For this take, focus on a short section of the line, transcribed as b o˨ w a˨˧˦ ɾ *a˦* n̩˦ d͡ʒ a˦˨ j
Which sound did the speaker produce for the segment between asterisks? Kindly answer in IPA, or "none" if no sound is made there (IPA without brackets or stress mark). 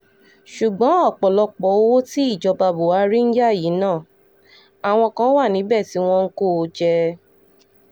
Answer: i˦